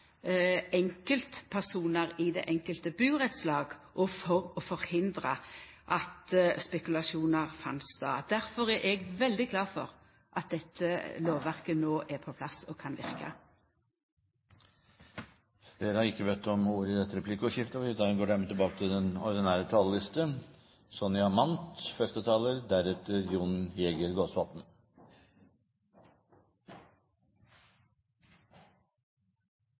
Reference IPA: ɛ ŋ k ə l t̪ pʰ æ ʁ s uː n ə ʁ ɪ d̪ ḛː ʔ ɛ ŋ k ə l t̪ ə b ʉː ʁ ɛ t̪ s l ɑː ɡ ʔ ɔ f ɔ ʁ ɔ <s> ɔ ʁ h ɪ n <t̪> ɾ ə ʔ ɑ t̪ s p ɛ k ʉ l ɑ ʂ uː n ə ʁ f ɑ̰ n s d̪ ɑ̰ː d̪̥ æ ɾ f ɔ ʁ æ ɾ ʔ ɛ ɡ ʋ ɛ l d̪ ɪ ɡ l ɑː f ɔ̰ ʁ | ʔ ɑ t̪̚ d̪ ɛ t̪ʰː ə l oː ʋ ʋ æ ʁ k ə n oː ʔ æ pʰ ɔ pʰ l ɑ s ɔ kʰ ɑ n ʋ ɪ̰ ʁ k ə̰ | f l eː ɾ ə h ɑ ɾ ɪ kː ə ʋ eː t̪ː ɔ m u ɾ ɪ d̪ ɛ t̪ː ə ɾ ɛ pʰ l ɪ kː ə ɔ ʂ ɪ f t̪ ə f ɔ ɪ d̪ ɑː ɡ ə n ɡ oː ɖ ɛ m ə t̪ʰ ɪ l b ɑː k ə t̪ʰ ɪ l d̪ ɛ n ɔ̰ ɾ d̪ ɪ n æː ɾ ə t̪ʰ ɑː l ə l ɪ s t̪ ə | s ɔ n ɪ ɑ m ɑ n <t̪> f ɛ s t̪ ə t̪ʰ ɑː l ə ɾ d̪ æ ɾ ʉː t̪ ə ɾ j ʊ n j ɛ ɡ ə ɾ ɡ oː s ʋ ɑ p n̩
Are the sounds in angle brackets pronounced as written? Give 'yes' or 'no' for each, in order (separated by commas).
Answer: no, no, yes